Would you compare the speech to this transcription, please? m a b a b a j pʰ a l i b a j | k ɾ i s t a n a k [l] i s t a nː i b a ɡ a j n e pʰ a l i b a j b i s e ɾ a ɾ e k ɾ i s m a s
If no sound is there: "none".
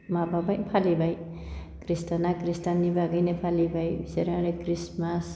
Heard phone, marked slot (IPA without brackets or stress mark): ɾ